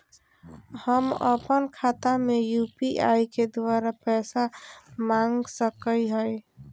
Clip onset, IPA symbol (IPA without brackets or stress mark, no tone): h